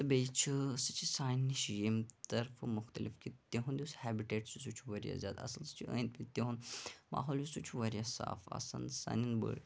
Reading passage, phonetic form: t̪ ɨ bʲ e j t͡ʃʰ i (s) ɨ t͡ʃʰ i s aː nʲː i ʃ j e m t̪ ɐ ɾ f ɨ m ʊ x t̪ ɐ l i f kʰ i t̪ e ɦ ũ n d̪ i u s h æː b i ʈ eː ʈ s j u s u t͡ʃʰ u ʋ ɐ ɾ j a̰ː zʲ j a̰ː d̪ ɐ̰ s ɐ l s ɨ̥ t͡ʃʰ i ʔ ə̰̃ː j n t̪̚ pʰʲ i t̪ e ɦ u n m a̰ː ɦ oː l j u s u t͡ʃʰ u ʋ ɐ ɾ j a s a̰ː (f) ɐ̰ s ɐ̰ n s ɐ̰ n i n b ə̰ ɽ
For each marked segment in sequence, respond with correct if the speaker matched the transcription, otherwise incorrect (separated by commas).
correct, correct